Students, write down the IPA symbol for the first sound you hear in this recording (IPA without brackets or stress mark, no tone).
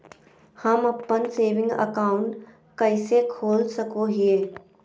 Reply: h